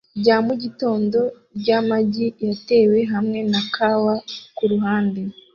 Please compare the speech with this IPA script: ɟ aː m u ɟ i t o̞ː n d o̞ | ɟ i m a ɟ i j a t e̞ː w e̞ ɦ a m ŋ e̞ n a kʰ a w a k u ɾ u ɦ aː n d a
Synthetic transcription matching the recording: ɟ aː m u ɟ i t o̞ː n d o̞ | ɟ a m a ɟ i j a t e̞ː w e̞ ɦ a m ŋ e̞ n a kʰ a w a k u ɾ u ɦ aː n d e